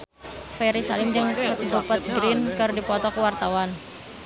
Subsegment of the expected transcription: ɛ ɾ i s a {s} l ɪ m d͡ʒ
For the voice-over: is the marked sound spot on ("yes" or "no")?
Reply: no